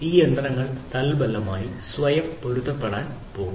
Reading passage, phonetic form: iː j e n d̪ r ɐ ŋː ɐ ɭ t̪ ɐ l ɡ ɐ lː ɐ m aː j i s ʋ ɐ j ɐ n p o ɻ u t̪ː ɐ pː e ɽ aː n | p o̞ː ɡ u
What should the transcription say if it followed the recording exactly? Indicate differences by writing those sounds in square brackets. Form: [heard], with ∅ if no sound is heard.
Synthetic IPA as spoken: iː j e n d̪ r ɐ ŋː ɐ ɭ t̪ ɐ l [b] ɐ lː ɐ m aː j i s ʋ ɐ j ɐ [m] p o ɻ u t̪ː ɐ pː e ɽ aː n | p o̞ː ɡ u